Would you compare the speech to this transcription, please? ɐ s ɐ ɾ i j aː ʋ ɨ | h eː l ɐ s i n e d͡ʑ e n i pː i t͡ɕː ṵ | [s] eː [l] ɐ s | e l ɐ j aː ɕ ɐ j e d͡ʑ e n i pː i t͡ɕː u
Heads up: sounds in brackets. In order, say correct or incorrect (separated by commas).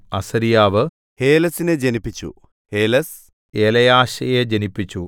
incorrect, correct